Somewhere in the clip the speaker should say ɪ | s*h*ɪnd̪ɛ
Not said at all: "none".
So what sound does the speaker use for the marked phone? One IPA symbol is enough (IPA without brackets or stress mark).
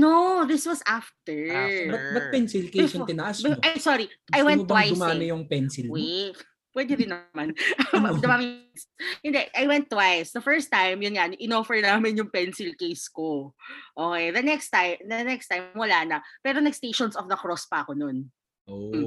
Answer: h